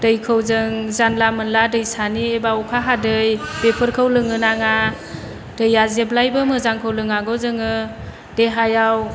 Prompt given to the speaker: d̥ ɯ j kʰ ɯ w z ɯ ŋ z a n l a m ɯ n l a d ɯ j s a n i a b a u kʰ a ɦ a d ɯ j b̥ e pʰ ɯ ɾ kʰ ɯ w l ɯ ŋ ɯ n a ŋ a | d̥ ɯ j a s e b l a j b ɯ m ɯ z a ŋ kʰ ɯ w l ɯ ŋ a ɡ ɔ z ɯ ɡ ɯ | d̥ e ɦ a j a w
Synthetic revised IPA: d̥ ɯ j kʰ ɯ w z ɯ ŋ z a n l a m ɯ n l a d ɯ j s a n i e b a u kʰ a ɦ a d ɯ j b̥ e pʰ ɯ ɾ kʰ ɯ w l ɯ ŋ ɯ n a ŋ a | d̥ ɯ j a z e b l a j b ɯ m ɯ z a ŋ kʰ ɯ w l ɯ ŋ a ɡ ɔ z ɯ ŋ ɯ | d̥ e ɦ a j a w